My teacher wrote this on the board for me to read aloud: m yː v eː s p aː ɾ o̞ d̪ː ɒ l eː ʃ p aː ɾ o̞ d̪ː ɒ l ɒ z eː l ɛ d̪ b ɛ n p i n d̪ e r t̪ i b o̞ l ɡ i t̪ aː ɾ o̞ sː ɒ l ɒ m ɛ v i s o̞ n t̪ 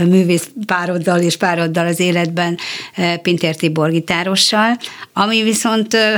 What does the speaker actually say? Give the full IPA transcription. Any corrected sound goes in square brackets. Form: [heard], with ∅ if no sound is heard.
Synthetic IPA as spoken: m yː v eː s p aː ɾ o̞ d̪ː ɒ l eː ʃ p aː ɾ o̞ d̪ː ɒ l ɒ z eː l ɛ d̪ b ɛ n p i n [t̪] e r t̪ i b o̞ [r] ɡ i t̪ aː ɾ o̞ [ʃː] ɒ l ɒ m [i] v i s o̞ n t̪